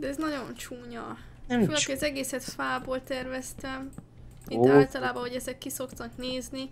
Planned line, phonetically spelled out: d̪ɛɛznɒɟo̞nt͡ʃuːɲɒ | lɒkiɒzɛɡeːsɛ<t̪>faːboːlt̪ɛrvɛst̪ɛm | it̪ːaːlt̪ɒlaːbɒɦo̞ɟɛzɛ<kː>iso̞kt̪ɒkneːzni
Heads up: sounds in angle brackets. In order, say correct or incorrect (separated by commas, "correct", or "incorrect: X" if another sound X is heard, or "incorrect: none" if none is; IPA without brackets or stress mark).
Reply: correct, correct